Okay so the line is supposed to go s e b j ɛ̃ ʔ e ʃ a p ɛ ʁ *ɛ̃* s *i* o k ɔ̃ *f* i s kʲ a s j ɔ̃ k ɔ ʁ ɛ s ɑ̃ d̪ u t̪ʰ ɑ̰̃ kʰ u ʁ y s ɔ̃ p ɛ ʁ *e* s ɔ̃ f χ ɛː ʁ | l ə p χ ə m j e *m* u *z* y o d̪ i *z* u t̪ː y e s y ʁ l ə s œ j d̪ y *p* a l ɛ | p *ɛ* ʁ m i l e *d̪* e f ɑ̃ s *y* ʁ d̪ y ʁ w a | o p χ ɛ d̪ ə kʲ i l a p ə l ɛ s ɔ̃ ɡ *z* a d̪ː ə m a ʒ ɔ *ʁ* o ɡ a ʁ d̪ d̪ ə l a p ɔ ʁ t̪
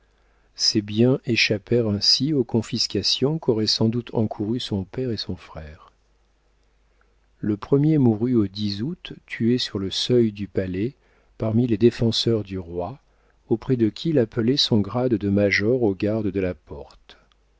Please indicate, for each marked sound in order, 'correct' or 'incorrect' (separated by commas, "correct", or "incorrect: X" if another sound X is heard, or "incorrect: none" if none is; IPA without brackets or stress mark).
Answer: correct, correct, correct, correct, correct, incorrect: ʁ, correct, correct, incorrect: a, correct, incorrect: œ, incorrect: ʁ, correct